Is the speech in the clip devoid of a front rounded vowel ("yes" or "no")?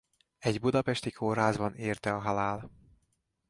yes